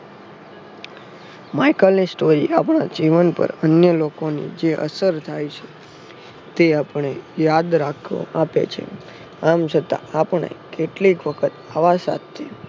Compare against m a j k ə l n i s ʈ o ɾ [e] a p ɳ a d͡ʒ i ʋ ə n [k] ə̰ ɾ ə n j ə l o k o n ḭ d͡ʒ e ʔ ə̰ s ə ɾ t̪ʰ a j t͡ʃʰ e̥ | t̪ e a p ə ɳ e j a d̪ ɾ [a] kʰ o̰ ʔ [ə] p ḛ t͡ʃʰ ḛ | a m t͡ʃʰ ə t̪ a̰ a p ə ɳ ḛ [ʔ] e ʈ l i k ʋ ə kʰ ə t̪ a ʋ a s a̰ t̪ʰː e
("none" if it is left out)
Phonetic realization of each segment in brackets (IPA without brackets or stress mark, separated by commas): i, p, a, a, k